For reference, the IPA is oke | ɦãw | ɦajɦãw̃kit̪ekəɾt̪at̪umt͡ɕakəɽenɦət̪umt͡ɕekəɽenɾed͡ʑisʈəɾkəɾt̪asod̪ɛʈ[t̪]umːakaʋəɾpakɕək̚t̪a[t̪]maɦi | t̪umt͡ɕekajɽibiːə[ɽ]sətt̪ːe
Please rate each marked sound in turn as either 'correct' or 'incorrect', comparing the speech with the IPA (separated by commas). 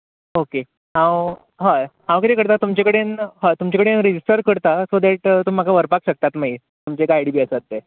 correct, correct, incorrect